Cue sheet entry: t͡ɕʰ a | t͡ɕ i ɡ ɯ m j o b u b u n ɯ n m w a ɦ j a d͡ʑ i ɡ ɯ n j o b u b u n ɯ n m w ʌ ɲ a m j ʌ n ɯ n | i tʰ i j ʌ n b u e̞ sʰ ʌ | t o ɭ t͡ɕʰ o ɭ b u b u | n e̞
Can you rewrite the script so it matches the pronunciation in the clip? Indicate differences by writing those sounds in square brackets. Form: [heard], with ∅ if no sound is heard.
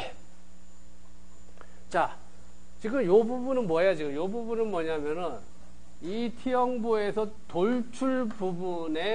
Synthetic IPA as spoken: [t͡ɕ] a | t͡ɕ i ɡ ɯ m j o b u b u n ɯ n m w [ʌ] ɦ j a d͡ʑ i ɡ ɯ [m] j o b u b u n ɯ n m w ʌ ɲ a m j ʌ n ɯ n | i tʰ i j ʌ [ŋ] b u e̞ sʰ ʌ | t o ɭ t͡ɕʰ [u] ɭ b u b u | n e̞